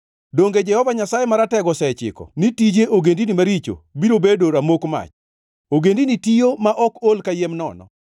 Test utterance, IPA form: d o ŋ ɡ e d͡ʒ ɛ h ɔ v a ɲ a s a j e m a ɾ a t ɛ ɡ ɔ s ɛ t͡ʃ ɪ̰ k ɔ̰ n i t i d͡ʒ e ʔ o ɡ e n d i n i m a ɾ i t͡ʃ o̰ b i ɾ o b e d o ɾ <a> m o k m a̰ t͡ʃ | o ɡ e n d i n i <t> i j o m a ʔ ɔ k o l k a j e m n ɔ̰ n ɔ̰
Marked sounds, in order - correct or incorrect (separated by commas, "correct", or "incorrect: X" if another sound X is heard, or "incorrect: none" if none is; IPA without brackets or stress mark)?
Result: correct, correct